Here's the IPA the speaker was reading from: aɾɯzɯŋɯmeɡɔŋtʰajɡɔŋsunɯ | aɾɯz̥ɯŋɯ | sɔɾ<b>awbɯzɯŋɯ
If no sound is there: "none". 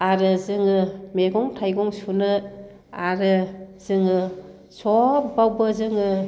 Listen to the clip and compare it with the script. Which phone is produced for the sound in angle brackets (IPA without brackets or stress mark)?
b